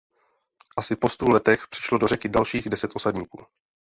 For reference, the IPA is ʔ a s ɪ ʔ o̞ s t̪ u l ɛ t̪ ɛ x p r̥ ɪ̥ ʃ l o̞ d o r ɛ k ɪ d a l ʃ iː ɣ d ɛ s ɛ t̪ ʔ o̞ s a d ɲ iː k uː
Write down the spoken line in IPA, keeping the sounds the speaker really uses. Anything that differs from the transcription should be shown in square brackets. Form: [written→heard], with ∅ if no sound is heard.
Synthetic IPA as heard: ʔ a s ɪ [ʔ→p] o̞ s t̪ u l ɛ t̪ ɛ x p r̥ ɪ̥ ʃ l o̞ d o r ɛ k ɪ d a l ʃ iː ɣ d ɛ s ɛ t̪ ʔ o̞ s a d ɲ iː k uː